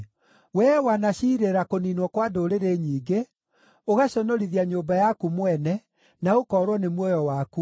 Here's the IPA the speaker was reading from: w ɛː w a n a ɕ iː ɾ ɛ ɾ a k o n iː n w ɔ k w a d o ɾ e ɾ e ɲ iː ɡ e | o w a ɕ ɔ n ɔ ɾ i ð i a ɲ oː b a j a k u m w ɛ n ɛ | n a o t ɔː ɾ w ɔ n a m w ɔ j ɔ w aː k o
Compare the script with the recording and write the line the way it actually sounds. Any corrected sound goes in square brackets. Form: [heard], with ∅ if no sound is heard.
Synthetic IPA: w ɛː w a n a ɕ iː ɾ [e] ɾ a k o n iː n w ɔ k w a d o ɾ e ɾ e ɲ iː ɡ e | o [ɣ] a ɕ ɔ n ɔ ɾ i ð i a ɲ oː b a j a k u m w ɛ n ɛ | n a o [k] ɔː ɾ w ɔ n [e] m w ɔ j ɔ w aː k [u]